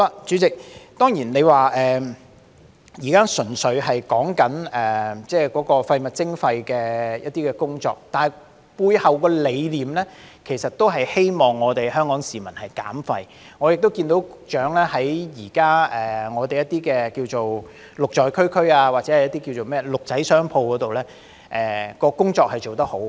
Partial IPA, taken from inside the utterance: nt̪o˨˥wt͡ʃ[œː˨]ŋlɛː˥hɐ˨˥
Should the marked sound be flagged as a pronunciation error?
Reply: yes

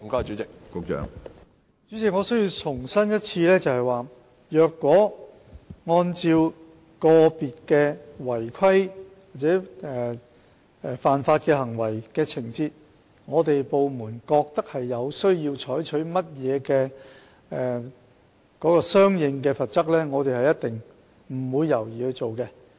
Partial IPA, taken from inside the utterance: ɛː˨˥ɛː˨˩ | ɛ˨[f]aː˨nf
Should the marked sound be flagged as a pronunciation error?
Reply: no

